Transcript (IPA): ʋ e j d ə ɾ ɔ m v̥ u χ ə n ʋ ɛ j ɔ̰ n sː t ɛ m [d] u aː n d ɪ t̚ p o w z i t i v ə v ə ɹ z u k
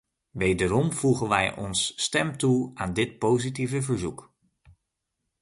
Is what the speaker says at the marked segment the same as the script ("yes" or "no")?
no